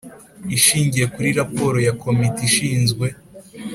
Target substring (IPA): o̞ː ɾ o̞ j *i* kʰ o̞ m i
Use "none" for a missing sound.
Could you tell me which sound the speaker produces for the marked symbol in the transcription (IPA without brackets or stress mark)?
a